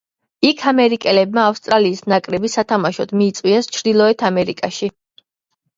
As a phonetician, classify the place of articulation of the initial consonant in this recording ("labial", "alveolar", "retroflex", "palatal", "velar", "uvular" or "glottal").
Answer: velar